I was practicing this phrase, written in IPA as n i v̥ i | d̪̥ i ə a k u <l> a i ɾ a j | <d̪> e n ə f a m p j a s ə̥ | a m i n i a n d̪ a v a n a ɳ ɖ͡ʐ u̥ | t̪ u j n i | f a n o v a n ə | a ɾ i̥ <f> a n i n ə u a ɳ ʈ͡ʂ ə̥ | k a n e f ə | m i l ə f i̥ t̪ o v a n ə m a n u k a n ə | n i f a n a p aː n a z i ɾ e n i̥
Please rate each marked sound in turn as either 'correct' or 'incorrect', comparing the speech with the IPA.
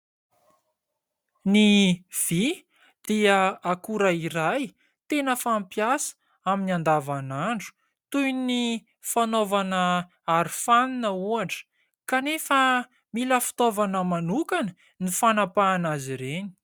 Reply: incorrect: ɾ, incorrect: t̪, correct

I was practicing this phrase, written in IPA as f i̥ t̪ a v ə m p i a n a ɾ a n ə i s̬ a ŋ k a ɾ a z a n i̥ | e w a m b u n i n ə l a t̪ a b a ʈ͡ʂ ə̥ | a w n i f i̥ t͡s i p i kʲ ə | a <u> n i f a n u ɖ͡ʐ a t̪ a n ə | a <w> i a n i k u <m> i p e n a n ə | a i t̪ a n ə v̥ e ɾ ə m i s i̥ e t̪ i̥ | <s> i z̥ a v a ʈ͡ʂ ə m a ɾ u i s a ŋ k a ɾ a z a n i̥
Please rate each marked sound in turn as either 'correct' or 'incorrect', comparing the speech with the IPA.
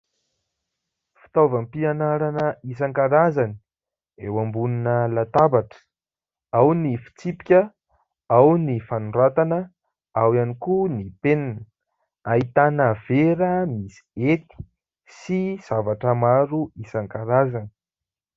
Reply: incorrect: w, correct, incorrect: n, correct

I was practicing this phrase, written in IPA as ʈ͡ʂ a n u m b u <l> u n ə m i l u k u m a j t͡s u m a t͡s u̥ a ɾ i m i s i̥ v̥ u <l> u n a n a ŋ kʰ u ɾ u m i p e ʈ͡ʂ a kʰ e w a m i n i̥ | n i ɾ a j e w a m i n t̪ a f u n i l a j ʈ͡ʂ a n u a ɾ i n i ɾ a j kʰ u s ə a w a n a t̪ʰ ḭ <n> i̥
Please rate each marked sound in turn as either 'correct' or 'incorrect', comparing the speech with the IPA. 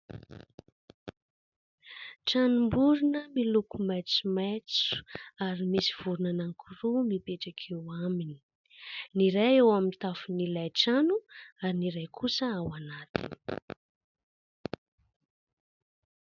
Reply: incorrect: ɾ, incorrect: ɾ, correct

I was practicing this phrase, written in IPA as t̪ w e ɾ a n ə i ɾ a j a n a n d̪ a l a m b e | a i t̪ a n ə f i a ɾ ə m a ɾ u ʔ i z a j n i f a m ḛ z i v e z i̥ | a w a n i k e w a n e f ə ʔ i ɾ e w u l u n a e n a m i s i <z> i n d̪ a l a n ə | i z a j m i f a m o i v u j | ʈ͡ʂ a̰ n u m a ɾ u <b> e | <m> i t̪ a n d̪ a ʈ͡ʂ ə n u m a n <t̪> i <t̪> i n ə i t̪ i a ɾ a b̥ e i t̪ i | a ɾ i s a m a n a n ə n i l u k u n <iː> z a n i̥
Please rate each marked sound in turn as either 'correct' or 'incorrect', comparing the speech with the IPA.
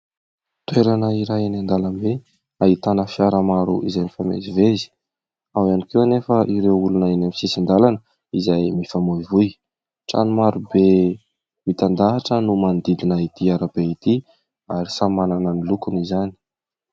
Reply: incorrect: s, correct, correct, incorrect: d̪, incorrect: d̪, incorrect: i

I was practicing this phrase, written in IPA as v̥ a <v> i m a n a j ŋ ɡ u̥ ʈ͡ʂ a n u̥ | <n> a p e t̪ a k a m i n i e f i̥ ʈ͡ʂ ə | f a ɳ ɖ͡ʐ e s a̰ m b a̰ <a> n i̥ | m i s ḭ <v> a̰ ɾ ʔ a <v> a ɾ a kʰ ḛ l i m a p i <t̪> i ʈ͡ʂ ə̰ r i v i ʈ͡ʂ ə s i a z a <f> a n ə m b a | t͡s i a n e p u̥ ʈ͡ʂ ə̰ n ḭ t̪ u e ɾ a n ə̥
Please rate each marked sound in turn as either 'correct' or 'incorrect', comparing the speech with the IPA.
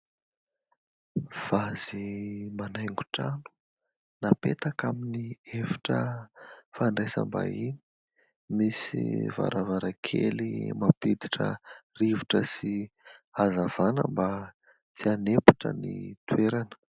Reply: incorrect: z, correct, incorrect: i, correct, correct, incorrect: d̪, incorrect: v

